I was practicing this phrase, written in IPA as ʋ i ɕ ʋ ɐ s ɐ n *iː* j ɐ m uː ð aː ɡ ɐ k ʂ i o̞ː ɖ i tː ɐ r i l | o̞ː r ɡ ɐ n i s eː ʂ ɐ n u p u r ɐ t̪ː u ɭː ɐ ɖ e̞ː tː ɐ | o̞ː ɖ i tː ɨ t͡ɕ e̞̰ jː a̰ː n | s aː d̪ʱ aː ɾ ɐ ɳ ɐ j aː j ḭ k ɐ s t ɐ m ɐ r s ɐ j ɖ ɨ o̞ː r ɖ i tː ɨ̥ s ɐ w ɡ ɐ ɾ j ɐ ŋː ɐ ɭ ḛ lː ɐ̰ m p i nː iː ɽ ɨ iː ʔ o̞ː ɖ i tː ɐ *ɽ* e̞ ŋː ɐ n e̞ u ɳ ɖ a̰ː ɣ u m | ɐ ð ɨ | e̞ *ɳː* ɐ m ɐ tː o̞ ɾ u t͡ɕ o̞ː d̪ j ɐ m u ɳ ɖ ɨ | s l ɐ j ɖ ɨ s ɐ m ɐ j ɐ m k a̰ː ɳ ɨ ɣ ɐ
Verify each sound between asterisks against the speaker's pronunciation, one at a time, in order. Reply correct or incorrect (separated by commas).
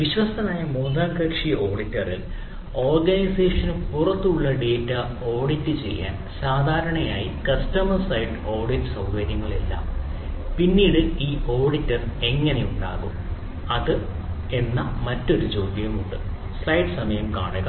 incorrect, incorrect, incorrect